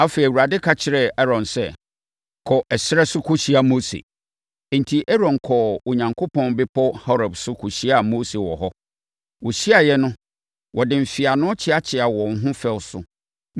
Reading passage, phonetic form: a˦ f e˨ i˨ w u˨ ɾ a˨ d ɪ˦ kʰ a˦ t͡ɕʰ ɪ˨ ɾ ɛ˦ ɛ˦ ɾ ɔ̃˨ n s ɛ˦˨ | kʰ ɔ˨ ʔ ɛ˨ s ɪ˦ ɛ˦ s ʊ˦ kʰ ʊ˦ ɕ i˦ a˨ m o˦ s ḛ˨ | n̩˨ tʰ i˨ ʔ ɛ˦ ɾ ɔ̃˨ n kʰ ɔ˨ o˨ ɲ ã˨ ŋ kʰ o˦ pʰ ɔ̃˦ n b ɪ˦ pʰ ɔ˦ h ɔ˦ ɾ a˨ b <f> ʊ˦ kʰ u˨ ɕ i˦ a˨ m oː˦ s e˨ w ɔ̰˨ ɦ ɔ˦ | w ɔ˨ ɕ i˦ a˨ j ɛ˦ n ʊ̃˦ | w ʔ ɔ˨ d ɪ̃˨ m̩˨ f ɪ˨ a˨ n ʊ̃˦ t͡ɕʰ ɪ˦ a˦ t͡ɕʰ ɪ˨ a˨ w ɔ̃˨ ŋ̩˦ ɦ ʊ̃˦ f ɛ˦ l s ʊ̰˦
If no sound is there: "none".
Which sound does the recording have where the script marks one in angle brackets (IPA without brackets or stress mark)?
s